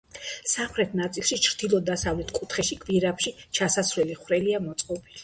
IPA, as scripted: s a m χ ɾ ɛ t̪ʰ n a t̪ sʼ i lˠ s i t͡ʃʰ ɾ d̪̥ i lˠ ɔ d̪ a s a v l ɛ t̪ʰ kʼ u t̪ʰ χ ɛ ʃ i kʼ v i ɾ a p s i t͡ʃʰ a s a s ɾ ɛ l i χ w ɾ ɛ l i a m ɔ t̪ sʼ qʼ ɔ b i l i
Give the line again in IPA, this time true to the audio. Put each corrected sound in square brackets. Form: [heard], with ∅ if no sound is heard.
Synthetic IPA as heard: s a m χ ɾ ɛ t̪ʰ n a t̪ sʼ i lˠ [ʃ] i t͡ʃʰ ɾ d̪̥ i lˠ ɔ d̪ a s a v l ɛ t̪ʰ kʼ u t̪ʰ χ ɛ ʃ i kʼ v i ɾ a p [ʃ] i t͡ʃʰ a s a s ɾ ɛ l i χ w ɾ ɛ l i a m ɔ t̪ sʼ qʼ ɔ b i l i